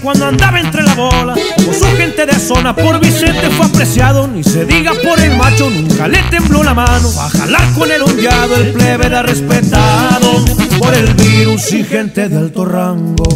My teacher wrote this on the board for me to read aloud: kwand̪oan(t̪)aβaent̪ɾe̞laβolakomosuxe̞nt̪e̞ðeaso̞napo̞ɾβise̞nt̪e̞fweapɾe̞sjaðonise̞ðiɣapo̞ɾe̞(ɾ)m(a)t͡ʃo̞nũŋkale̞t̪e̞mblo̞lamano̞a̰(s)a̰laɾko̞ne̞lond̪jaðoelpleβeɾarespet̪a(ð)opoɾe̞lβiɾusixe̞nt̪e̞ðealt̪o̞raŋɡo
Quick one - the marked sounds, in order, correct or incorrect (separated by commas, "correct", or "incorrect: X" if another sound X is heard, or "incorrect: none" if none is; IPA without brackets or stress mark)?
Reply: incorrect: d̪, incorrect: l, correct, incorrect: x, correct